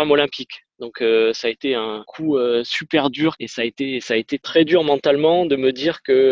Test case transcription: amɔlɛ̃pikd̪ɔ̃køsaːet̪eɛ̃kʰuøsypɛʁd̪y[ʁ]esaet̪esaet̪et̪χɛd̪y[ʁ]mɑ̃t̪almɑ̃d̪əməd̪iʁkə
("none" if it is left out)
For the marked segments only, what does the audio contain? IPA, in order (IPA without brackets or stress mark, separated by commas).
ʁ, ʁ